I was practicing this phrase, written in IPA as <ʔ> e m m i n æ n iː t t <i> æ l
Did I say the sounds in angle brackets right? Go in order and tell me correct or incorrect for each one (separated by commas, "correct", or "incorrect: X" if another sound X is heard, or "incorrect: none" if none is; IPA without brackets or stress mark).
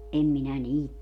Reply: correct, incorrect: e